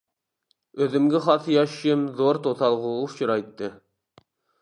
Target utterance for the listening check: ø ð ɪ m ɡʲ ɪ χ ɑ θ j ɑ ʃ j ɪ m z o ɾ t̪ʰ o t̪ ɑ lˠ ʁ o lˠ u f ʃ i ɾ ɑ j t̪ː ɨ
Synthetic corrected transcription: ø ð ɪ m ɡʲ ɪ χ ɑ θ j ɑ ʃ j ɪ m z o ɾ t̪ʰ o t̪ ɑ lˠ ʁ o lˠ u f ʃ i ɾ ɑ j t̪ː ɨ